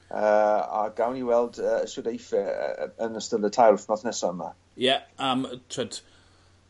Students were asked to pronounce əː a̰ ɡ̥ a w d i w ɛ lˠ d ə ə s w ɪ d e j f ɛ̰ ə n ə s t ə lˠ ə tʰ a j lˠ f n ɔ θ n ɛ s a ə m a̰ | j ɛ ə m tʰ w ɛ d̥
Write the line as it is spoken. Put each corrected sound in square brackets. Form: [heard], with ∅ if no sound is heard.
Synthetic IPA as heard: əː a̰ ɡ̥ a w [n] i w ɛ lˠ d ə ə s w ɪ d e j f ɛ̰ ə n ə s t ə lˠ ə tʰ a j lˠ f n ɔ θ n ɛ s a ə m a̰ | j ɛ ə m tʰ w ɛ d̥